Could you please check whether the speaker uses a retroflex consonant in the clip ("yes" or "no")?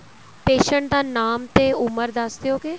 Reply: yes